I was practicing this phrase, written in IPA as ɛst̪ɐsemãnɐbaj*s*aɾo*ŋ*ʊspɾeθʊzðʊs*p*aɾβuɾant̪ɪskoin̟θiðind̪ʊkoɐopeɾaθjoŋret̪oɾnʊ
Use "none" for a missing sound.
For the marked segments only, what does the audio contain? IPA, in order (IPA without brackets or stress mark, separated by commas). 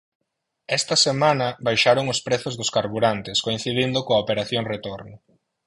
ʃ, ŋ, k